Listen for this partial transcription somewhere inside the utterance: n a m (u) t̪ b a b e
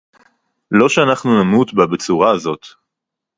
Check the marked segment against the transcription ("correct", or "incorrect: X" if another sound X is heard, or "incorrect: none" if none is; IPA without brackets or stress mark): correct